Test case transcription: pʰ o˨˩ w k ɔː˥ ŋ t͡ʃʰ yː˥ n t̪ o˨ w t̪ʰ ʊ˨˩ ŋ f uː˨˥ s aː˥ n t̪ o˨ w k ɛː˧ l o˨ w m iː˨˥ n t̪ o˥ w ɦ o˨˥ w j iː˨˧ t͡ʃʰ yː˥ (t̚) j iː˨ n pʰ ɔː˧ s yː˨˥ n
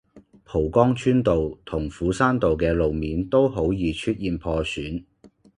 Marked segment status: correct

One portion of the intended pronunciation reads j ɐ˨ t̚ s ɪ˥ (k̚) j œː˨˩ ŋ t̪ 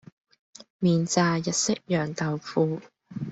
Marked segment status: correct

